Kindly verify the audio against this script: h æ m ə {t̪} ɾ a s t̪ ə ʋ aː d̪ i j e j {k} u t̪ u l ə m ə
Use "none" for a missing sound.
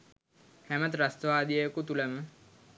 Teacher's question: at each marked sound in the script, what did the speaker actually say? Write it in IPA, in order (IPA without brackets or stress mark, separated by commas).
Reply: t̪, k